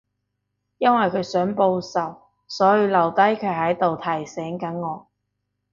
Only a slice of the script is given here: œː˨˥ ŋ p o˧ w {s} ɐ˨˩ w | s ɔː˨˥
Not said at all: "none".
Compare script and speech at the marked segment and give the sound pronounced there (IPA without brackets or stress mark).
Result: s